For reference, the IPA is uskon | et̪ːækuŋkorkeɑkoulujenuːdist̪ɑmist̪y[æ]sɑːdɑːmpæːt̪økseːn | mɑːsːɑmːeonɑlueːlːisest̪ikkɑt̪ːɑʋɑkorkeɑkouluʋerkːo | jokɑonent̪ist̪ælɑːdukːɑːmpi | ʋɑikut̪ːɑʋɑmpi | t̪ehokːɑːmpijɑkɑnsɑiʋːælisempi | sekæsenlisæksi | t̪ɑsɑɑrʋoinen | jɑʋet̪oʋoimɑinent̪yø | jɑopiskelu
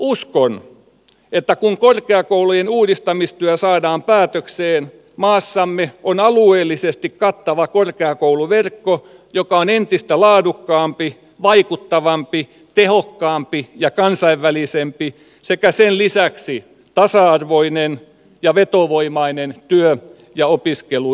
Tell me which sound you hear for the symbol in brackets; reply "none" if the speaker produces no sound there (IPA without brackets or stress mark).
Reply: æ